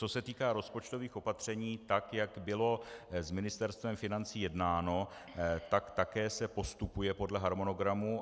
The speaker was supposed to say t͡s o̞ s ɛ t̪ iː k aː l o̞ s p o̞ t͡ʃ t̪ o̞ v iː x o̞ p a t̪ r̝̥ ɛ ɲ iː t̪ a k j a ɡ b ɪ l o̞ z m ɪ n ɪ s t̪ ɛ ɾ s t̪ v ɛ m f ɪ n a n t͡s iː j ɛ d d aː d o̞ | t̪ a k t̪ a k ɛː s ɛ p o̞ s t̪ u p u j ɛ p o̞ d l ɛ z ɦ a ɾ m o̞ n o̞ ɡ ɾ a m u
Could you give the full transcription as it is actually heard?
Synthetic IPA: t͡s o̞ s ɛ t̪ iː k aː ɾ o̞ s p o̞ t͡ʃ t̪ o̞ v iː x o̞ p a t̪ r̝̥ ɛ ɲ iː t̪ a k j a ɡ b ɪ l o̞ z m ɪ n ɪ s t̪ ɛ ɾ s t̪ v ɛ m f ɪ n a n t͡s iː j ɛ d n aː n o̞ | t̪ a k t̪ a k ɛː s ɛ p o̞ s t̪ u p u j ɛ p o̞ d l ɛ ɦ a ɾ m o̞ n o̞ ɡ ɾ a m u